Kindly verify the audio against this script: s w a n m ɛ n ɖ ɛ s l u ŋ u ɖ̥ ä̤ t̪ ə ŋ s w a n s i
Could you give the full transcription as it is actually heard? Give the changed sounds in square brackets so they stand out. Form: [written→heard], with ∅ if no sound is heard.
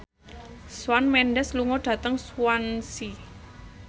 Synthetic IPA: s w a n m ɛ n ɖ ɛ s l u ŋ [u→ɔ] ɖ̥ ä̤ t̪ ə ŋ s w a n s i